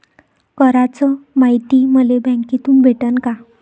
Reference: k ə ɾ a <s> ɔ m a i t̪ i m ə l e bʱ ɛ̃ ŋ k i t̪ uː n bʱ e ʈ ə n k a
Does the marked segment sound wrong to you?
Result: yes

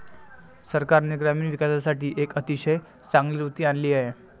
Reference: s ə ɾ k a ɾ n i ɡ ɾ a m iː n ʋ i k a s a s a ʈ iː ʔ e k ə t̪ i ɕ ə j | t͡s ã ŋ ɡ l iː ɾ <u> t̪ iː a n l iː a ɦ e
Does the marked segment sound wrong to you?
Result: no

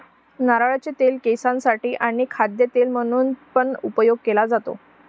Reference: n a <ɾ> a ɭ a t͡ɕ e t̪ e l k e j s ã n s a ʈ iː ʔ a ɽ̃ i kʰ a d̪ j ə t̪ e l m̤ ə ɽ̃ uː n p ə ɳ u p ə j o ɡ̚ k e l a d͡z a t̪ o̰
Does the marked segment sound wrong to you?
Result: no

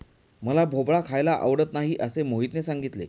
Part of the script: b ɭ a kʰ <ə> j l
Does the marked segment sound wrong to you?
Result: yes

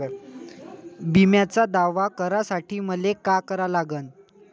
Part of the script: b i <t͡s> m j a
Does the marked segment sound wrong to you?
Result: yes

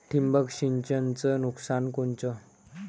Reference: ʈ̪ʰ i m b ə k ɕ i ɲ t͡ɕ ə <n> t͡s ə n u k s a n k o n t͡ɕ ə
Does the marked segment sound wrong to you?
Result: no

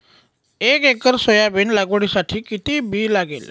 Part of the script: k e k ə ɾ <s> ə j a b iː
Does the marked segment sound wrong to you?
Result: no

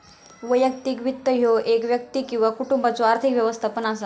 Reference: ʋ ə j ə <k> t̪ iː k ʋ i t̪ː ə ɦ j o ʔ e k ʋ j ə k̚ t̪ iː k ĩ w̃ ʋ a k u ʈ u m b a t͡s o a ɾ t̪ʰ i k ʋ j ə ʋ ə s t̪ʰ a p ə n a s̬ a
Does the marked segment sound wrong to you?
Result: no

